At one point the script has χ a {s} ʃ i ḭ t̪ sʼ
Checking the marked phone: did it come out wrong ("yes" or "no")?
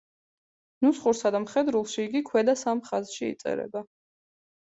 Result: yes